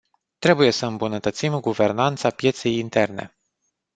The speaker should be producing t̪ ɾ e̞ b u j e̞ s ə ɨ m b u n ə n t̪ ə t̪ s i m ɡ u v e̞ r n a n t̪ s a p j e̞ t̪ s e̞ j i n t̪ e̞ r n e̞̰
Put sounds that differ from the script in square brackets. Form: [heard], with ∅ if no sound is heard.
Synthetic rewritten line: t̪ ɾ e̞ b u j e̞ s ə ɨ m b u n ə [∅] t̪ ə t̪ s i m ɡ u v e̞ r n a n t̪ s a p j e̞ t̪ s e̞ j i n t̪ e̞ r n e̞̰